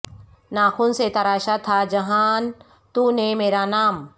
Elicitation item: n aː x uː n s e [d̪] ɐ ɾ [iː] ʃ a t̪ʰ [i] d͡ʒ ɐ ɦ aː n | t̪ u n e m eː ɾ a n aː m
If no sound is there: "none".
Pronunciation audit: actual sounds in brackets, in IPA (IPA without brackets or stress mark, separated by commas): t̪, aː, a